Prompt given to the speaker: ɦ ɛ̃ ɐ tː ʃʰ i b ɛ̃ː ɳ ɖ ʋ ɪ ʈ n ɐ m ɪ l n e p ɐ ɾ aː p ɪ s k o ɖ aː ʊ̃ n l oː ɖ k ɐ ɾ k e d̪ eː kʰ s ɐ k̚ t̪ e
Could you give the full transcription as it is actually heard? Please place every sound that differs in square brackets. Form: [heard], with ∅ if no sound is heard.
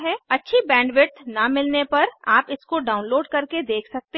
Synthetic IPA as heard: ɦ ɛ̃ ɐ tː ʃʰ i b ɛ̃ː ɳ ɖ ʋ ɪ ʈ n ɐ m ɪ l n e p ɐ ɾ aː p ɪ s k o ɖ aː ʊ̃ n l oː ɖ k ɐ ɾ k e d̪ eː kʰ s ɐ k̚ t̪ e